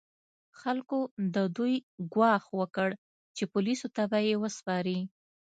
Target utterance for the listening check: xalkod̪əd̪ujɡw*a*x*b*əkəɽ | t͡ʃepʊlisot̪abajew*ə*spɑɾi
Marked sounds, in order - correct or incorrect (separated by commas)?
incorrect, incorrect, correct